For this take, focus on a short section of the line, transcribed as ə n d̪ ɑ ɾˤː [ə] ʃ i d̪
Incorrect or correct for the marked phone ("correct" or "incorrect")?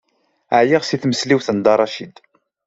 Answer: incorrect